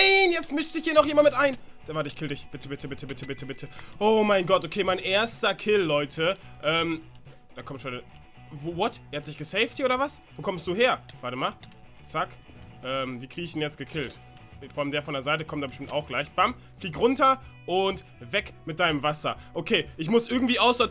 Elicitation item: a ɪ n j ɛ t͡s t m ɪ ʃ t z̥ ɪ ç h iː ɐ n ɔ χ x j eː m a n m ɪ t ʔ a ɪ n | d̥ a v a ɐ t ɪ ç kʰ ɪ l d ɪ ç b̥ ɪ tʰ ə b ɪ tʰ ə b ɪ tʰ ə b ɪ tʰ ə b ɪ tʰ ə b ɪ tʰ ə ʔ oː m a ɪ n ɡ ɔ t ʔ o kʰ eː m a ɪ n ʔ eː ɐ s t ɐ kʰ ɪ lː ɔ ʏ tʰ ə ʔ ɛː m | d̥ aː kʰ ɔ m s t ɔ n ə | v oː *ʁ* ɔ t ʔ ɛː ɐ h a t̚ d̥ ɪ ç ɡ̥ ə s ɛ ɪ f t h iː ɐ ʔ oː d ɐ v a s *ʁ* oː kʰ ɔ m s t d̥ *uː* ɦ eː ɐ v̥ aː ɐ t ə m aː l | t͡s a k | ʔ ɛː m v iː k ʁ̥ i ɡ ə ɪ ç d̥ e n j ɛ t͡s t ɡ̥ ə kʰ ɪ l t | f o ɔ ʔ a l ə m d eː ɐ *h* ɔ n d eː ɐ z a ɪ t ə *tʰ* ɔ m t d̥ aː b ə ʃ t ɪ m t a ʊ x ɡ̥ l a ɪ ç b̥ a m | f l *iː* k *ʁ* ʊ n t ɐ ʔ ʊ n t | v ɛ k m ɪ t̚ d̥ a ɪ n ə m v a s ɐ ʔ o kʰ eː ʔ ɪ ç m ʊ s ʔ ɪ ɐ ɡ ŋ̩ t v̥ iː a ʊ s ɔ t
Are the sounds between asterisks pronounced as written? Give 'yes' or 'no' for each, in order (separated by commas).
no, no, yes, no, no, yes, yes